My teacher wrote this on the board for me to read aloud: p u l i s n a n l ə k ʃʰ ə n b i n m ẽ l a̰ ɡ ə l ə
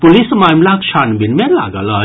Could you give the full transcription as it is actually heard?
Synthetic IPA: p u l i s m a m l a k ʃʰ a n b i n m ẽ l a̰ ɡ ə l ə